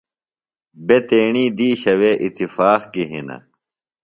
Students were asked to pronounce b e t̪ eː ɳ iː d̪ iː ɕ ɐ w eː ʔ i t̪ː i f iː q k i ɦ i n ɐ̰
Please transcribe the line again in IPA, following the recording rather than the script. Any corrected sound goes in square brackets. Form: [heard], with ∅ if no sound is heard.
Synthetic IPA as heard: b e t̪ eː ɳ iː d̪ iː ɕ ɐ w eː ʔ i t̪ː i f [aː] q k i ɦ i n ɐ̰